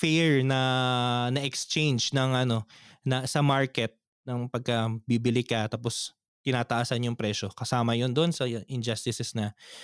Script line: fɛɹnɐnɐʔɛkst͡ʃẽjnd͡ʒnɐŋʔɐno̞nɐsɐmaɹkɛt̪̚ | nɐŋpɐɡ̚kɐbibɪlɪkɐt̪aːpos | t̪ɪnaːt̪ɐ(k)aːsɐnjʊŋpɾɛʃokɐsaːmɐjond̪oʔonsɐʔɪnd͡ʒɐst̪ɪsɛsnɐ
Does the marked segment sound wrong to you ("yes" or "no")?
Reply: yes